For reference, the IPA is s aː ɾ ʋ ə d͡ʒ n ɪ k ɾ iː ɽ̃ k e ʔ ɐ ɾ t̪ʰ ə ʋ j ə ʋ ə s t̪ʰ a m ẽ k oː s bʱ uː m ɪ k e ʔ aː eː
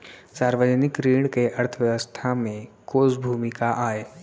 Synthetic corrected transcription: s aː ɾ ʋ ə d͡ʒ n ɪ k ɾ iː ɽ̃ k e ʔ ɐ ɾ t̪ʰ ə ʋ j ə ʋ ə s t̪ʰ a m ẽ k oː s bʱ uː m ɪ k a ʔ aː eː

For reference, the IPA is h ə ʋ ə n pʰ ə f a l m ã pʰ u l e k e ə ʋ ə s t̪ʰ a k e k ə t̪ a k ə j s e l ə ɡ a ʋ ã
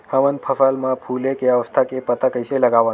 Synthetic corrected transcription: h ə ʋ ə n pʰ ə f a l m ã pʰ u l e k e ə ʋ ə s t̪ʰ a k e p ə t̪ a k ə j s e l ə ɡ a ʋ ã

